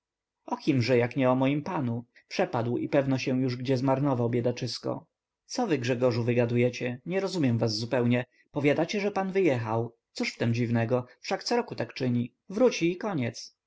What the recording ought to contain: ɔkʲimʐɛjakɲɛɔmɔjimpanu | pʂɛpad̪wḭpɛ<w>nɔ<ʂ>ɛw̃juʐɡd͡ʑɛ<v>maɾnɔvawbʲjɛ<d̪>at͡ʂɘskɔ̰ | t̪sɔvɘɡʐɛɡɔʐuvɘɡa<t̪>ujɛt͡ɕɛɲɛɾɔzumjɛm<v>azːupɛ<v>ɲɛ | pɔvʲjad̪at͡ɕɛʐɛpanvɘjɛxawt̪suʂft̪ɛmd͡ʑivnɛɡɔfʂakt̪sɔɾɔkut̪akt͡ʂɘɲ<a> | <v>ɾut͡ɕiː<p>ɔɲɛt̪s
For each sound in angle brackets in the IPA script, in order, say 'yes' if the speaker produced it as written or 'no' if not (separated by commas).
no, no, no, yes, no, yes, no, no, yes, no